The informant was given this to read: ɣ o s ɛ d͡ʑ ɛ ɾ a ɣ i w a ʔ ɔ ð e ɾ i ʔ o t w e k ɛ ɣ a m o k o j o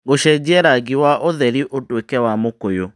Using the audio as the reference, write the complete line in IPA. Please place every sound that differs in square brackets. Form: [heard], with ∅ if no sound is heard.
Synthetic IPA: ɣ o [ʃ] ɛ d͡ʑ ɛ ɾ a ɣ i w a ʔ [o] ð [ɛ] ɾ i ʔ o t w e k ɛ [w] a m o k o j o